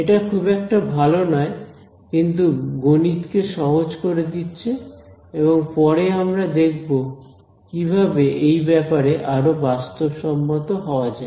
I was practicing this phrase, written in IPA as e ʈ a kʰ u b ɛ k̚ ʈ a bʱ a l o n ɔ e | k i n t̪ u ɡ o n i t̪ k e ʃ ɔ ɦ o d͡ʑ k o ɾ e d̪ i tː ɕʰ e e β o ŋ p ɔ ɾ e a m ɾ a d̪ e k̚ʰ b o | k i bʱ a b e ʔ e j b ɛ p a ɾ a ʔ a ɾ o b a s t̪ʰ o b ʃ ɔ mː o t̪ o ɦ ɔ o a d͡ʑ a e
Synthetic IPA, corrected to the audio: e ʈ a kʰ u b ɛ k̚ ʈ a bʱ a l o n ɔ e | k i n t̪ u ɡ o n i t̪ k e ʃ ɔ ɦ o d͡ʑ k o ɾ e d̪ i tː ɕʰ e e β o ŋ p ɔ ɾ e a m ɾ a d̪ e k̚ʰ b o | k i bʱ a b e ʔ e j b ɛ p a ɾ e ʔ a ɾ o b a s t̪ o b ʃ ɔ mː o t̪ o ɦ ɔ o a d͡ʑ a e

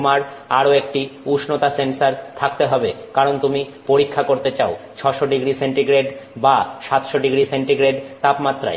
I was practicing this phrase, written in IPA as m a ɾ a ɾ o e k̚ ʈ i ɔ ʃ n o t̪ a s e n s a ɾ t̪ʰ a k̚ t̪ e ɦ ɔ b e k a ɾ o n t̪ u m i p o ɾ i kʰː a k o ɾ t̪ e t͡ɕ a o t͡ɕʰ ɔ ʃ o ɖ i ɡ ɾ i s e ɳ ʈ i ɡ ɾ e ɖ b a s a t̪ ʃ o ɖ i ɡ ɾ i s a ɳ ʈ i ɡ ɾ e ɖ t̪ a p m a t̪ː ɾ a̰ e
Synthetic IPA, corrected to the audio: m a ɾ a ɾ o e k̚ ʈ i u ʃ n o t̪ a s e n s a ɾ t̪ʰ a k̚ t̪ e ɦ ɔ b e k a ɾ o n t̪ u m i p o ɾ i kʰː a k o ɾ t̪ e t͡ɕ a o t͡ɕʰ ɔ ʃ o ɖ i ɡ ɾ i s e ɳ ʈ i ɡ ɾ e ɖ b a ʃ a t̪ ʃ o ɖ i ɡ ɾ i s e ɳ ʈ i ɡ ɾ e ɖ t̪ a p m a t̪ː ɾ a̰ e

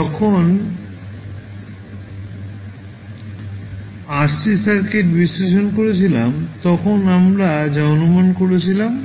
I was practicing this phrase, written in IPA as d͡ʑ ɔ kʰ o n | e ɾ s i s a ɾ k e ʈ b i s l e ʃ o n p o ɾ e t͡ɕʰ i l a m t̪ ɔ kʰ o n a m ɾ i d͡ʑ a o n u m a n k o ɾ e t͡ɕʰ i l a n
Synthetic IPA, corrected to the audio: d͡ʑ ɔ kʰ o n | a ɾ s i s a ɾ k e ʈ b i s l e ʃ o n k o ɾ e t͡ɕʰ i l a m t̪ ɔ kʰ o n a m ɾ a d͡ʑ a o n u m a n k o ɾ e t͡ɕʰ i l a m

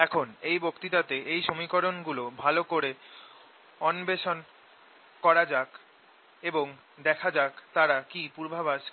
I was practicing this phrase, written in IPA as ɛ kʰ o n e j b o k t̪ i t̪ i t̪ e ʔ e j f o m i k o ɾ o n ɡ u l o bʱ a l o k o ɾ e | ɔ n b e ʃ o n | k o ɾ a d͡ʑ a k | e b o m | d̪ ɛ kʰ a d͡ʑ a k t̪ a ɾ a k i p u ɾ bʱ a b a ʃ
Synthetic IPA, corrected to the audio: ɛ kʰ o n e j b o k t̪ i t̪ a t̪ e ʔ e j ʃ o m i k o ɾ o n ɡ u l o bʱ a l o k o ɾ e | ɔ n b e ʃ o n | k ɔ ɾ a d͡ʑ a k | e b o ŋ | d̪ ɛ kʰ a d͡ʑ a k t̪ a ɾ a k i p u ɾ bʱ a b a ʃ

